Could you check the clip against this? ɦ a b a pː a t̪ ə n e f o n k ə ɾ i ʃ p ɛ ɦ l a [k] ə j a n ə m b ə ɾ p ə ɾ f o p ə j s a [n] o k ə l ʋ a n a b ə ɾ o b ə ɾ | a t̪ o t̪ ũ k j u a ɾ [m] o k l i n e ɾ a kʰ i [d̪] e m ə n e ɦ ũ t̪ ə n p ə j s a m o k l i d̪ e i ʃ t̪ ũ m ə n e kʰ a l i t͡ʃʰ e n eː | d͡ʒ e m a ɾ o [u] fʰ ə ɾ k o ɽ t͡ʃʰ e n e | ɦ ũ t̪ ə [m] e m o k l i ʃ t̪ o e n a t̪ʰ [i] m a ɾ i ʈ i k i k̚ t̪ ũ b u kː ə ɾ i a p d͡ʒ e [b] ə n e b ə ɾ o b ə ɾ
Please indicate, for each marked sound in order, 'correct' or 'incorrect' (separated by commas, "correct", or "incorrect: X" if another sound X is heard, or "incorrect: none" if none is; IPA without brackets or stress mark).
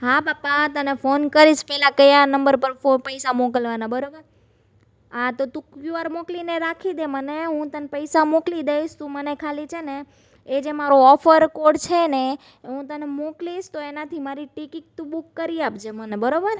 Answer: correct, incorrect: m, correct, correct, incorrect: ɔ, incorrect: n, correct, incorrect: m